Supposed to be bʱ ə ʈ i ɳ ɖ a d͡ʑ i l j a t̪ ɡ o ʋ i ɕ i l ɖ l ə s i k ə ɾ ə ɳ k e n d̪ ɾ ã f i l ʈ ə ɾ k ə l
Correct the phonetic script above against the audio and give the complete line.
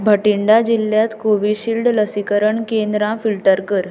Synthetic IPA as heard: bʱ ə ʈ i ɳ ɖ a d͡ʑ i l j a t̪ k o ʋ i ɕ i l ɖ l ə s i k ə ɾ ə ɳ k e n d̪ ɾ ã f i l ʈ ə ɾ k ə ɾ

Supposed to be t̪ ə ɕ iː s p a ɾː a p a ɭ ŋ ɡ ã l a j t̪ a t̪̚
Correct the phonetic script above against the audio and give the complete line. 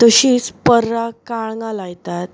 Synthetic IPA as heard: t̪ ə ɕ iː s p ə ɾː a k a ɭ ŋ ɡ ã l a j t̪ a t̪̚

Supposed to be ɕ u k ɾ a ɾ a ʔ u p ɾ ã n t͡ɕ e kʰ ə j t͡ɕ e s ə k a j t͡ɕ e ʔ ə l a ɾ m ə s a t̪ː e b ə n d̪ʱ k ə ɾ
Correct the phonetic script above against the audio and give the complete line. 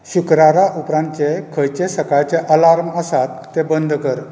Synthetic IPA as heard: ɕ u k ɾ a ɾ a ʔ u p ɾ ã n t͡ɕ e kʰ ə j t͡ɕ e s ə k a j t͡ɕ e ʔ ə l a ɾ m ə s a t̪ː e b ə n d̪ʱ k ə ɾ

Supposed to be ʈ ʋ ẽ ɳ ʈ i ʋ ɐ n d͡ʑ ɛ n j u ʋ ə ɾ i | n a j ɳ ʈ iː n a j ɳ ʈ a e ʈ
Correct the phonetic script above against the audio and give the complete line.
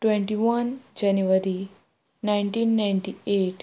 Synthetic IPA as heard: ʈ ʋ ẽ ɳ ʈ i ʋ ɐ n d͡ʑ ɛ n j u ʋ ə ɾ i | n a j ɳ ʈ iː nː a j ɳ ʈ i e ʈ

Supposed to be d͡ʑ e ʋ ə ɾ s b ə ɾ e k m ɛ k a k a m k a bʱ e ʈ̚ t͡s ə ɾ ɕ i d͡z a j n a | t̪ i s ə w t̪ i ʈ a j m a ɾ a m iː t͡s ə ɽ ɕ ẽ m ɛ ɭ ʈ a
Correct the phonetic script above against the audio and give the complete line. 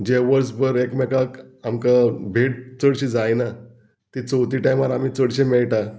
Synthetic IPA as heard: d͡ʑ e ʋ ə ɾ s b ə ɾ e k m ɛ k a k a m k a bʱ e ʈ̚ t͡s ə ɽ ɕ i d͡z a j n a | t̪ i t͡s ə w t̪ i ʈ a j m a ɾ a m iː t͡s ə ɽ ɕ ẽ m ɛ ɭ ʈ a

